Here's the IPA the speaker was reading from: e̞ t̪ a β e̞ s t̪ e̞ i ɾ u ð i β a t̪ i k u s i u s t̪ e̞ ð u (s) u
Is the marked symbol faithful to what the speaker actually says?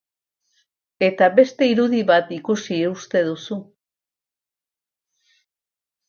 yes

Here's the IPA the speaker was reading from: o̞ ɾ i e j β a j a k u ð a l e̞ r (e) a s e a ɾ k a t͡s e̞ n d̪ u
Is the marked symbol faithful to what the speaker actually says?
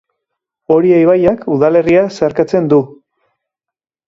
no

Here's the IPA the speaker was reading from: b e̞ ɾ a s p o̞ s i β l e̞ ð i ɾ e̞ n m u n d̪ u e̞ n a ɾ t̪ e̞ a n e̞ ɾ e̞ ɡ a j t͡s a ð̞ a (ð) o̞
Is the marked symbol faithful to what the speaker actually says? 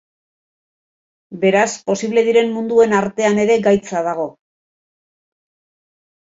no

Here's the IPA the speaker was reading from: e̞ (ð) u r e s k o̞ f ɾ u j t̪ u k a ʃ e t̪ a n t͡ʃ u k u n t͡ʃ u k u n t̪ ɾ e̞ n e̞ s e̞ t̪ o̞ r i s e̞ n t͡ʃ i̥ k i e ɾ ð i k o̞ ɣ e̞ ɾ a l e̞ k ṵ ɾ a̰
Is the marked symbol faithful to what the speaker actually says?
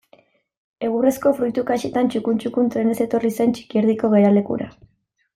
no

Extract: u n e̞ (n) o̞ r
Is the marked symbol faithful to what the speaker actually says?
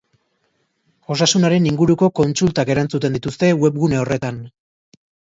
no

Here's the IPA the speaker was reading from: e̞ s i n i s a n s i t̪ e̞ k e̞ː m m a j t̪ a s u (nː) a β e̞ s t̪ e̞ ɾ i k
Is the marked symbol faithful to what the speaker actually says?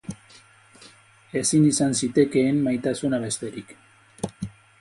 no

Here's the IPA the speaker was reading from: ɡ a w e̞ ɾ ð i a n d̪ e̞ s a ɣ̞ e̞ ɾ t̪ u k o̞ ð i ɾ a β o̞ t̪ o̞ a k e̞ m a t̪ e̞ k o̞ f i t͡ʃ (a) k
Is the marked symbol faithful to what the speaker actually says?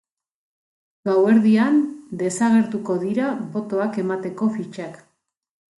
yes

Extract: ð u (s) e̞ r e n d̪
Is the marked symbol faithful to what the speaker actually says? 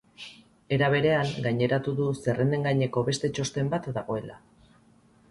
yes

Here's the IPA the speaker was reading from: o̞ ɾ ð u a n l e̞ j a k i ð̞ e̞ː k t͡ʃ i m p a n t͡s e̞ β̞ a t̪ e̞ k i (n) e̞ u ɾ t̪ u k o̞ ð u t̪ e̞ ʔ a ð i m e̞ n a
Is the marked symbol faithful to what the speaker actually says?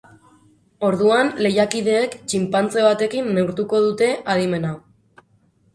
no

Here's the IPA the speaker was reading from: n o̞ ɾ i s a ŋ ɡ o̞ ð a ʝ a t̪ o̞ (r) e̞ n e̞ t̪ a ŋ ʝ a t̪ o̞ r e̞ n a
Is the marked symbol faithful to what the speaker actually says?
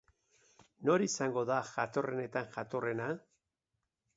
yes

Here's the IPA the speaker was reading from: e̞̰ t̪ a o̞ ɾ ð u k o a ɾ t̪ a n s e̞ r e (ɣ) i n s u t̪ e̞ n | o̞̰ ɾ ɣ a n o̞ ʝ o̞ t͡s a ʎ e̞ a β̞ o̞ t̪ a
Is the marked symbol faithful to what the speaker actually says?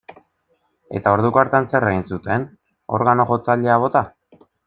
yes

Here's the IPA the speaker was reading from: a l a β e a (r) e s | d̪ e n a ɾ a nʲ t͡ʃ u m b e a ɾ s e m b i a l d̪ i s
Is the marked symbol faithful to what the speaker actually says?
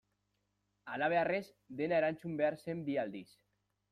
yes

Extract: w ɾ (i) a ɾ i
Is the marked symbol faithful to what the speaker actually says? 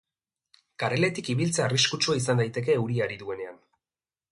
yes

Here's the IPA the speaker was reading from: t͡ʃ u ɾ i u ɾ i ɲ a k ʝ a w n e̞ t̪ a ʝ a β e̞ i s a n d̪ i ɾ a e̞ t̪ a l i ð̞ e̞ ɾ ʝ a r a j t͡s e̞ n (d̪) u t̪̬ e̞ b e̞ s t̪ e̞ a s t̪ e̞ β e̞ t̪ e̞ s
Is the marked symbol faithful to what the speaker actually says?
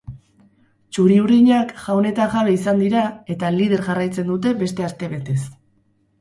yes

